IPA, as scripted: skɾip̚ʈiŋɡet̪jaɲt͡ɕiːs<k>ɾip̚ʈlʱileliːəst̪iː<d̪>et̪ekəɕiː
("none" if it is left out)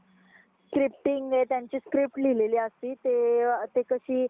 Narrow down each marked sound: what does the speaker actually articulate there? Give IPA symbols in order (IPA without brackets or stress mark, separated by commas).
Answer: k, t̪